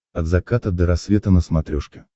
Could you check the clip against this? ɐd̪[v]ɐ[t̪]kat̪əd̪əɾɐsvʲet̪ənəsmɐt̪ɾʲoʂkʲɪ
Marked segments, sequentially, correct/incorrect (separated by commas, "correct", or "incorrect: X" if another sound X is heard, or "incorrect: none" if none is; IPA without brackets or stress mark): incorrect: z, incorrect: none